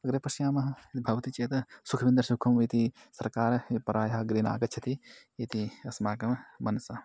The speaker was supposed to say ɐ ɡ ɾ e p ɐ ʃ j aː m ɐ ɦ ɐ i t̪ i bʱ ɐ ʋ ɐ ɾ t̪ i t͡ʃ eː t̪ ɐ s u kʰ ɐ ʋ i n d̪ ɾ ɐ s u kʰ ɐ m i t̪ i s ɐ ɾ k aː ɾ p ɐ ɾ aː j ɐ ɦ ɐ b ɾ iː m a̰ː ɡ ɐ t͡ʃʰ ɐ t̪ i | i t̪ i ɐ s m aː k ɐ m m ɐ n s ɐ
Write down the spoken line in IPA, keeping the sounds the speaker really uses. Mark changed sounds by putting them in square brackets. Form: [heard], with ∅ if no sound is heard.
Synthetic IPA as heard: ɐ ɡ ɾ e p ɐ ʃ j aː m ɐ ɦ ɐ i t̪ i bʱ ɐ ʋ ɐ [∅] t̪ i t͡ʃ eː t̪ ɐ s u kʰ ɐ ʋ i n d̪ ɾ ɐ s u kʰ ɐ m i t̪ i s ɐ ɾ k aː ɾ p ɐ ɾ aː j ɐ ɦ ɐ [ɡ] ɾ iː [n] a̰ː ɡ ɐ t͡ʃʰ ɐ t̪ i | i t̪ i ɐ s m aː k ɐ m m ɐ n s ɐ